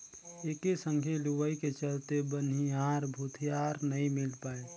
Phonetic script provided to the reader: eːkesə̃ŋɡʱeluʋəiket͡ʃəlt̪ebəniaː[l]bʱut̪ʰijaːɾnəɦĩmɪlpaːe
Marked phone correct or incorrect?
incorrect